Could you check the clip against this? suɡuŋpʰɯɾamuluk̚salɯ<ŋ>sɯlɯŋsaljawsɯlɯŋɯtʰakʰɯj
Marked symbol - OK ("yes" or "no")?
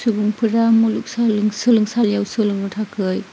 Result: yes